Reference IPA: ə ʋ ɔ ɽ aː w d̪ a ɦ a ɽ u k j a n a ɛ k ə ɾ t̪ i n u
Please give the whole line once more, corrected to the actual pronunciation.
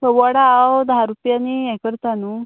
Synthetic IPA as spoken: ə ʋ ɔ ɽ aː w d̪ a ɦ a ɾ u p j a n i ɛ k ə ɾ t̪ a n u